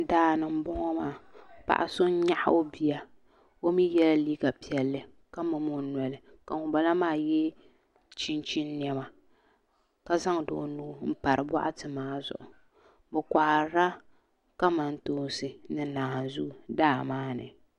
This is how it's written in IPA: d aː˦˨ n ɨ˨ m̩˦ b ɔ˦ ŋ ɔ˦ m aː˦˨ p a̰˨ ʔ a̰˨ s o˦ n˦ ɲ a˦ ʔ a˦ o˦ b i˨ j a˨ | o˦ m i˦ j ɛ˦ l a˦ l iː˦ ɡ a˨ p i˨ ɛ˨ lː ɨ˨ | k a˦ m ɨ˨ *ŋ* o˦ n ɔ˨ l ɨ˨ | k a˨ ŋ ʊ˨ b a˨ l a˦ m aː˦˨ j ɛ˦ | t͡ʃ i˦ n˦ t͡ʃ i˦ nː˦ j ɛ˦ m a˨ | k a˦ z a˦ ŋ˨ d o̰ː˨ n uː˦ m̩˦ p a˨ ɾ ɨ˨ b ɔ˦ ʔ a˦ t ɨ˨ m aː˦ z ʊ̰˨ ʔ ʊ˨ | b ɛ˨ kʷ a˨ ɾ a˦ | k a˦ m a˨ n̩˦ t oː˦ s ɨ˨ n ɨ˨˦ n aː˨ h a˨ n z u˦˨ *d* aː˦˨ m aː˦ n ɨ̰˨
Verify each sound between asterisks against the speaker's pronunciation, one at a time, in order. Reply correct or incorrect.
incorrect, correct

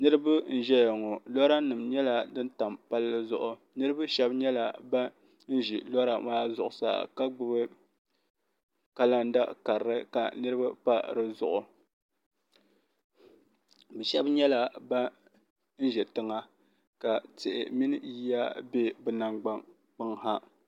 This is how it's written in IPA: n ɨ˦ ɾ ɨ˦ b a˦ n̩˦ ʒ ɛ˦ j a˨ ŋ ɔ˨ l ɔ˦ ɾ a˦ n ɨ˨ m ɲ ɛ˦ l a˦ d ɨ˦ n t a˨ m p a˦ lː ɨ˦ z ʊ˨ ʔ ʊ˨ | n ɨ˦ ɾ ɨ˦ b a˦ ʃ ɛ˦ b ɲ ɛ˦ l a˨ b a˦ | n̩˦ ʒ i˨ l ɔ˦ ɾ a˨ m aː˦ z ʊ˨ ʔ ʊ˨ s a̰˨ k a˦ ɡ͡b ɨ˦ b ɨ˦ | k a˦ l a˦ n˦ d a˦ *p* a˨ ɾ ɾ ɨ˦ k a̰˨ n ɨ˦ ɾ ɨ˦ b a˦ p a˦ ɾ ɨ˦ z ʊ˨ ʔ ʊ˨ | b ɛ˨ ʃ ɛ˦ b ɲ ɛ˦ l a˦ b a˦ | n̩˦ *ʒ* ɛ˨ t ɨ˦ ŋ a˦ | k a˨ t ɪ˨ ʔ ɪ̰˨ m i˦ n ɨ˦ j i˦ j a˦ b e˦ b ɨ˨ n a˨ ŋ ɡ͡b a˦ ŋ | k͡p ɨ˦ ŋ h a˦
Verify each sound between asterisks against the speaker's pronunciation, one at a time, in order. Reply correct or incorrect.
incorrect, correct

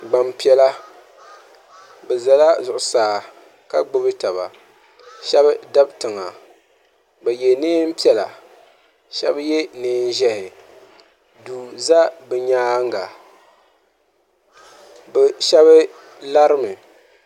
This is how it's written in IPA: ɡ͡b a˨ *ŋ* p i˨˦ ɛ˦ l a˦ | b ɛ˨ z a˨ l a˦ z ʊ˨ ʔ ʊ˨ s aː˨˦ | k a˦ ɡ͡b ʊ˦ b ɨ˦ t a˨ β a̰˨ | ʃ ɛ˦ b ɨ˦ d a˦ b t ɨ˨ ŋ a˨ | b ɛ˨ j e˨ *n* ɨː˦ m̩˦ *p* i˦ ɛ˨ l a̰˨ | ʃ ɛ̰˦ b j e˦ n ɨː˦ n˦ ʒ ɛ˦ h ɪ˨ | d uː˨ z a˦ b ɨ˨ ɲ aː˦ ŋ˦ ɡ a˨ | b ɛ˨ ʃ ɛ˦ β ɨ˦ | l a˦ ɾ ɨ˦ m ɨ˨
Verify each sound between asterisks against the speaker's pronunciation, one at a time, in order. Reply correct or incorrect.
incorrect, correct, correct

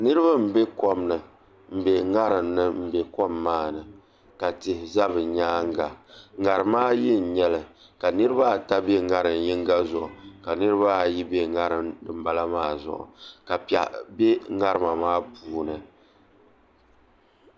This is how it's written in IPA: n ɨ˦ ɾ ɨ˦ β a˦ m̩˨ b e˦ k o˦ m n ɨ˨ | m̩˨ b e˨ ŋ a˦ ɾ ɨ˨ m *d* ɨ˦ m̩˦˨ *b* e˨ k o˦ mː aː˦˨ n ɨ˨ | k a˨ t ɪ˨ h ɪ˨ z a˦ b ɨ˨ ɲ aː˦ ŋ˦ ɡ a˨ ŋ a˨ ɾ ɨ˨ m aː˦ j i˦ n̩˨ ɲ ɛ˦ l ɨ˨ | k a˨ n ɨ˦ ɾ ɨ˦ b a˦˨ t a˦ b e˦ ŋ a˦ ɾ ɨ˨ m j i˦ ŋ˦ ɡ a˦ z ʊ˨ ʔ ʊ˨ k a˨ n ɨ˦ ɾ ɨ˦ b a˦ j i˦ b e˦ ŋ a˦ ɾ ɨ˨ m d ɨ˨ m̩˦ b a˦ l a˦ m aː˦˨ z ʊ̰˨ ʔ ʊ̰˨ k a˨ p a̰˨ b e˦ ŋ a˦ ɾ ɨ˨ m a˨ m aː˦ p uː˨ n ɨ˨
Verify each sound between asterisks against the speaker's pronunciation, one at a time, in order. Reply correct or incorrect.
incorrect, correct

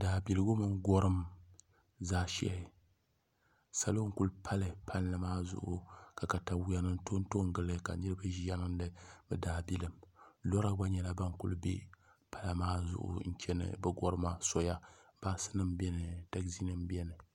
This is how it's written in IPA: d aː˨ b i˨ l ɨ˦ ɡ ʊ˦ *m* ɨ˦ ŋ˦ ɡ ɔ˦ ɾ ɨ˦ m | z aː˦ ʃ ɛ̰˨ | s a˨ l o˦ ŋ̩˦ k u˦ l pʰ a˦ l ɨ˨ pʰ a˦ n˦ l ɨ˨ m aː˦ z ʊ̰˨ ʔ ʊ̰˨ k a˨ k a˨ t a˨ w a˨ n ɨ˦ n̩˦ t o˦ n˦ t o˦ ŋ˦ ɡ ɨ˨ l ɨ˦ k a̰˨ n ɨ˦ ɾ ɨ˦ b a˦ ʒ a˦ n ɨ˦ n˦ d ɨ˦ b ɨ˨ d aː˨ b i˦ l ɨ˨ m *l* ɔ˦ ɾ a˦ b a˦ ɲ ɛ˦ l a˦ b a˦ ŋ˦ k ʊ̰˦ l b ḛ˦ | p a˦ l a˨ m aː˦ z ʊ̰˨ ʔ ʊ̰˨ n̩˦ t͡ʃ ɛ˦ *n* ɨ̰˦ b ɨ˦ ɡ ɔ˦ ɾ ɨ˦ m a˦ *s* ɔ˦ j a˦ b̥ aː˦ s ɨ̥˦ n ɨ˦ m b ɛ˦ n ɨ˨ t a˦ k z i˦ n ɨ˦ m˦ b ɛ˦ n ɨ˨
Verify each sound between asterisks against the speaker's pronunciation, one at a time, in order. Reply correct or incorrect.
correct, correct, correct, correct

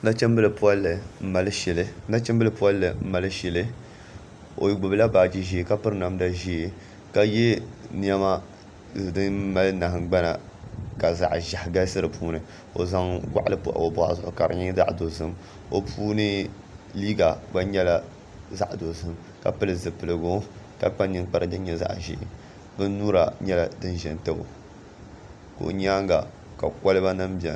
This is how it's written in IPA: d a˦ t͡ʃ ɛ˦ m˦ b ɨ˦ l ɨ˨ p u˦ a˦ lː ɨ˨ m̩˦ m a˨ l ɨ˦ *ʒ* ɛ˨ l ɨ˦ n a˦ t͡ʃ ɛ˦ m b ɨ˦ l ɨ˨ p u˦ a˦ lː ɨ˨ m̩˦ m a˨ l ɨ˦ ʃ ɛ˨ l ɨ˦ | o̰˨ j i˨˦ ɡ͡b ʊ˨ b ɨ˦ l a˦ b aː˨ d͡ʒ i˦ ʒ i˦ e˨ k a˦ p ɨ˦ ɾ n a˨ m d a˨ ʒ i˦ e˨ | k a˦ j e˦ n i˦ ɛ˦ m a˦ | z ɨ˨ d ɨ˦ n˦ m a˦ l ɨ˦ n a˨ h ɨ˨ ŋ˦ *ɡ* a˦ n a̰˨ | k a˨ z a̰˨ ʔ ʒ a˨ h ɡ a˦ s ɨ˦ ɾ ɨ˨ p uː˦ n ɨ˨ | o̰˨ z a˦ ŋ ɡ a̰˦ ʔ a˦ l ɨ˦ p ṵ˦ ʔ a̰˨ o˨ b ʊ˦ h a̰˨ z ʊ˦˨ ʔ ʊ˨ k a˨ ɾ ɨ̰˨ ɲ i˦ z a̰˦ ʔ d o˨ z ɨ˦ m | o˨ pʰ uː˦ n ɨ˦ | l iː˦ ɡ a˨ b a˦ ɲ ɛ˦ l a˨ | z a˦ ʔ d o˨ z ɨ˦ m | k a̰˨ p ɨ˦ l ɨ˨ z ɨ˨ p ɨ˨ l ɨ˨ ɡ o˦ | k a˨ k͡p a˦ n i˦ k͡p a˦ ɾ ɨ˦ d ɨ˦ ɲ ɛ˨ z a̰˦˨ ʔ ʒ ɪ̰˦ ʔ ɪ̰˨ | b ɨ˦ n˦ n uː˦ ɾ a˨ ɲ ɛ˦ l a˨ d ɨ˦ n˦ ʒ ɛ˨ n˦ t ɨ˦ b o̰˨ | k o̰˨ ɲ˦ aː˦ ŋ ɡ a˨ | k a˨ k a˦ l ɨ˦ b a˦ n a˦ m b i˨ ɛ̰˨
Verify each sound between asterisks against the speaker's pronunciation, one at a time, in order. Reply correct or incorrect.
incorrect, incorrect

